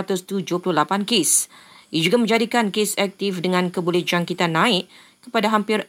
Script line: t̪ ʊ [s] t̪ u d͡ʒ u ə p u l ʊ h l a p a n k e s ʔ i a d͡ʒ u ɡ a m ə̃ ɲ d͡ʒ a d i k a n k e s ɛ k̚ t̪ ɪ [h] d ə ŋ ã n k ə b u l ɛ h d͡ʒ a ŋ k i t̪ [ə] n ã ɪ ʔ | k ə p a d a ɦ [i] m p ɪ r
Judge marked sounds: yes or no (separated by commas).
yes, no, no, no